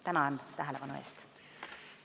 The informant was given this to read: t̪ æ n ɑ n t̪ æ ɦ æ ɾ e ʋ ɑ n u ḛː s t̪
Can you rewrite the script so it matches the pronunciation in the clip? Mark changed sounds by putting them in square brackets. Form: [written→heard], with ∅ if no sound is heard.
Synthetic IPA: t̪ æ n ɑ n t̪ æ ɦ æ [ɾ→l] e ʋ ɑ n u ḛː s t̪